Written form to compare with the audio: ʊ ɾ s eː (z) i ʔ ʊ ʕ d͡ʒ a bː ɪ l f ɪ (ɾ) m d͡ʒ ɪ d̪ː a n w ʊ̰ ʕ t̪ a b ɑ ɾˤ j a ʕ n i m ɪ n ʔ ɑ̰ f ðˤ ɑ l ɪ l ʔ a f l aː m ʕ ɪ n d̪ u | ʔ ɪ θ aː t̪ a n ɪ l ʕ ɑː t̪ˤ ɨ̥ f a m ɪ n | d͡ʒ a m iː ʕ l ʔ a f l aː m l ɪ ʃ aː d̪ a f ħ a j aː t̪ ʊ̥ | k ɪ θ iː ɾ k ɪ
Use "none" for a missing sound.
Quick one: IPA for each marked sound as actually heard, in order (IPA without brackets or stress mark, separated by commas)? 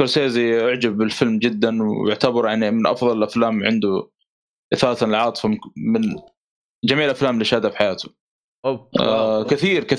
z, l